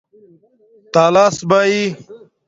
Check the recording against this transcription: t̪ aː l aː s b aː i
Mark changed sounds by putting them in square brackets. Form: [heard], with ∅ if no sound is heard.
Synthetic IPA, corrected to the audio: t̪ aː l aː s b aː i